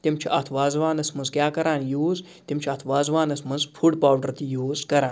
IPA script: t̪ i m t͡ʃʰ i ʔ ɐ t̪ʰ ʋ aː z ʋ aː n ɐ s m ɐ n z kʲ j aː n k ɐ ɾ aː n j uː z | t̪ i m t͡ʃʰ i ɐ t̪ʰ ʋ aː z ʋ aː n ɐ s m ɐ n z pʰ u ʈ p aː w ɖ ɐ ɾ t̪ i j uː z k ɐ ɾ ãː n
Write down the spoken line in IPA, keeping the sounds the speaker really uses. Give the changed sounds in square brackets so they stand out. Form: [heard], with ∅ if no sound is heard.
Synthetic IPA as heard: t̪ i m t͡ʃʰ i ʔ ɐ t̪ʰ ʋ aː z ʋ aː n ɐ s m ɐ n z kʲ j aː [∅] k ɐ ɾ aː n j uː z | t̪ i m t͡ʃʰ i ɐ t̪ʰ ʋ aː z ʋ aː n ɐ s m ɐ n z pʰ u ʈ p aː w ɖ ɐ ɾ t̪ i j uː z k ɐ ɾ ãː n

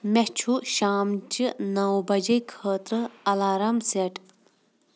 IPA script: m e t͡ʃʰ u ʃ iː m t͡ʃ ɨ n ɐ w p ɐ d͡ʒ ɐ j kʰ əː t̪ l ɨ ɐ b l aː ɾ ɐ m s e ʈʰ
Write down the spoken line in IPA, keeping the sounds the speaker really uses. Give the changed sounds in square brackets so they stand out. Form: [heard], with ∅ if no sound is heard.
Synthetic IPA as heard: m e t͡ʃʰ u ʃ [aː] m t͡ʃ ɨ n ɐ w [b] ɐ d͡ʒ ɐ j kʰ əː t̪ [ɾ] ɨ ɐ [∅] l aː ɾ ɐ m s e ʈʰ

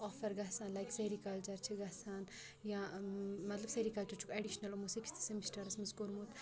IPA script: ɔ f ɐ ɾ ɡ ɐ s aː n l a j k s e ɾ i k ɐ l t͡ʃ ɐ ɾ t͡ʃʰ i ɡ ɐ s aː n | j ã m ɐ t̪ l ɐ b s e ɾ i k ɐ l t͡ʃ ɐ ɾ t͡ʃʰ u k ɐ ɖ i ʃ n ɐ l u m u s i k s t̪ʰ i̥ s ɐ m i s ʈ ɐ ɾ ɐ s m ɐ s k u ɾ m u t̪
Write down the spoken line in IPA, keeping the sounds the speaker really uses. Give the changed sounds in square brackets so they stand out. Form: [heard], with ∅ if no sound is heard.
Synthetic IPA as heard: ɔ f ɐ ɾ ɡ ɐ s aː n l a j k s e ɾ i k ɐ l t͡ʃ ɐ ɾ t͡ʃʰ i ɡ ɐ s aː n | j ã m ɐ t̪ l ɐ b s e ɾ i k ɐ l t͡ʃ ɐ ɾ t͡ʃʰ u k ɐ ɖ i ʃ n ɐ l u m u s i k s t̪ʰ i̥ s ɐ m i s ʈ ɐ ɾ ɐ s m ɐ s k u ɾ m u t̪

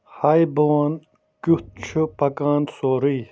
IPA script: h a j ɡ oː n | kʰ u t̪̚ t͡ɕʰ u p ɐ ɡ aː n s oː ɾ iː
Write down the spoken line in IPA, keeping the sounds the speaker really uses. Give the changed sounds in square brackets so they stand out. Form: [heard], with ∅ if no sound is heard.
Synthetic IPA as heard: h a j [b] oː n | [k] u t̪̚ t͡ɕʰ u p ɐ [k] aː n s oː ɾ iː

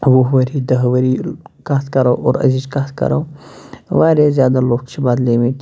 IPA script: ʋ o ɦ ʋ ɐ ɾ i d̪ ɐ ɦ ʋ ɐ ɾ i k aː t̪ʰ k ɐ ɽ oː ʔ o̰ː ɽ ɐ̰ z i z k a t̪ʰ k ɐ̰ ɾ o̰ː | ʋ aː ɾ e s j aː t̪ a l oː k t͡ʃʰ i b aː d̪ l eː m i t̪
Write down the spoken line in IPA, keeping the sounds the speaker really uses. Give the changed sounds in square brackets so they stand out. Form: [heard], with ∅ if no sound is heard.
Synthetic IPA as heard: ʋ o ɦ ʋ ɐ ɾ i d̪ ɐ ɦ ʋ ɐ ɾ i k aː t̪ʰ k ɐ [ɾ] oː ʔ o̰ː [ɾ] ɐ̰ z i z k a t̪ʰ k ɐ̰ ɾ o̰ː | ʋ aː ɾ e [z] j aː [d̪] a l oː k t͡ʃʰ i b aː d̪ l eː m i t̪

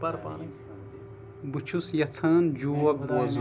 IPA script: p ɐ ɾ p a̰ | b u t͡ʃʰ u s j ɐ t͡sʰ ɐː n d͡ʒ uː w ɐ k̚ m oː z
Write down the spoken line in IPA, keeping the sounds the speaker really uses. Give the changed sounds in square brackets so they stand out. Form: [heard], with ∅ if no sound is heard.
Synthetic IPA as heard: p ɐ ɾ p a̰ | b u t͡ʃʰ u s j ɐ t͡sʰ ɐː n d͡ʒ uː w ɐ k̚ [b] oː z

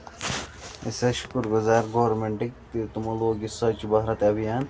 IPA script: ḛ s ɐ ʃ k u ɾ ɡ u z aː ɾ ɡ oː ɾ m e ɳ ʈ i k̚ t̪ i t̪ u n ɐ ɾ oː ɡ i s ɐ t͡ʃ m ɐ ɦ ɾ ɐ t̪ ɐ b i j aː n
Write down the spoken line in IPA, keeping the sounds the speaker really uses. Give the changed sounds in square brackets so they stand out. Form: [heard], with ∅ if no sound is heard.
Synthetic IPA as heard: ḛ s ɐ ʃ k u ɾ ɡ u z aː ɾ ɡ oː ɾ m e ɳ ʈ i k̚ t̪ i t̪ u [m] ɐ [l] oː ɡ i s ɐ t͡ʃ [b] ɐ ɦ ɾ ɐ t̪ ɐ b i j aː n

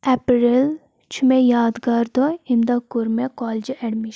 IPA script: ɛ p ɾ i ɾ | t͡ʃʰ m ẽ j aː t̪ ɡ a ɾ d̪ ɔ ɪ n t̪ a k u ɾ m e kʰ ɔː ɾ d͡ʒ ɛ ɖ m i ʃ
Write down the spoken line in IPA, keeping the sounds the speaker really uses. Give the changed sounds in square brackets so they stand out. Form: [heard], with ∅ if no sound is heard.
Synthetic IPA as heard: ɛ p ɾ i [l] | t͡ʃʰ m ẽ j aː [d̪] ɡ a ɾ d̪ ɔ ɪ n [d̪] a k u ɾ m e [k] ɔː [l] d͡ʒ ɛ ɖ m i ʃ

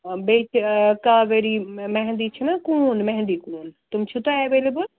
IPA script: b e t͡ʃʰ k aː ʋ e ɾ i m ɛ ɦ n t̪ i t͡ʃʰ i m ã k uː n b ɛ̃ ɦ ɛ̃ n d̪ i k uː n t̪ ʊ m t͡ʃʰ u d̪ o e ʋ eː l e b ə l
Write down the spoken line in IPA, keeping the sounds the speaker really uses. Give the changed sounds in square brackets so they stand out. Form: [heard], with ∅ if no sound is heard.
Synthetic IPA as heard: b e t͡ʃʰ k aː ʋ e ɾ i m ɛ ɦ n [d̪] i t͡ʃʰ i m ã k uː n [m] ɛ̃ ɦ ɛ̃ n d̪ i k uː n t̪ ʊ m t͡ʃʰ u [t̪] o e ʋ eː l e b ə l

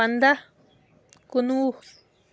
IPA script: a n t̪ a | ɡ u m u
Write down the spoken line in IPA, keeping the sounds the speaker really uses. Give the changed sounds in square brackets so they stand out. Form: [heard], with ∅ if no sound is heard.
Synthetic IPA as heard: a n [d̪] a | [k] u [n] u

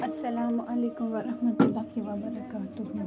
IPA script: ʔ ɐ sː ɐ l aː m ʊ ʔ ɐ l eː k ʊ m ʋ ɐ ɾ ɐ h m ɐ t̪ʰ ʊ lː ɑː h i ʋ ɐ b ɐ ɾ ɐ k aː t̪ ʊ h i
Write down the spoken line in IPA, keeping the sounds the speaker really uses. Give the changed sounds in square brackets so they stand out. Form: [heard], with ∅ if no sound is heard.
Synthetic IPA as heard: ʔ ɐ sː ɐ l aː m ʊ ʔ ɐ l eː k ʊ m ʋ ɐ ɾ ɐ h m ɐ [t̪] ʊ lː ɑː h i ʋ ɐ b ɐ ɾ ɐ k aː t̪ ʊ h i

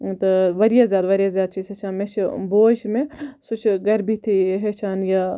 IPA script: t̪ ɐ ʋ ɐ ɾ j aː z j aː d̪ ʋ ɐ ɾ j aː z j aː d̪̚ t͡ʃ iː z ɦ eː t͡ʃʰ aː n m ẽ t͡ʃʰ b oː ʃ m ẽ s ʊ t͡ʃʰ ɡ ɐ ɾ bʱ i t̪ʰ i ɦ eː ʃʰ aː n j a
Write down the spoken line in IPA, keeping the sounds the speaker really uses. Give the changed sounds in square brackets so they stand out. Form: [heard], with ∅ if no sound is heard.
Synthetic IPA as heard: t̪ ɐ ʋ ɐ ɾ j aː z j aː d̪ ʋ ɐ ɾ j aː z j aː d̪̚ t͡ʃ iː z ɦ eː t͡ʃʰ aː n m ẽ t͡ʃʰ b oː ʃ m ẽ s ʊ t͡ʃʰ ɡ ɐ ɾ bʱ i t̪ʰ i ɦ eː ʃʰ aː n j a

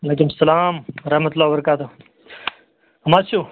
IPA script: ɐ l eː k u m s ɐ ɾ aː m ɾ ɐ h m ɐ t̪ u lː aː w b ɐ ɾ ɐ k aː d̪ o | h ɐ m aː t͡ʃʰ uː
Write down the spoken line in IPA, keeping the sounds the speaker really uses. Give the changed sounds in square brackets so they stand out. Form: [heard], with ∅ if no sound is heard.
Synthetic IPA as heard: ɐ l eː k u m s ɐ [l] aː m ɾ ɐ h m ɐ t̪ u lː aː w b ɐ ɾ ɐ k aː [t̪] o | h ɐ m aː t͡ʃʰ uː

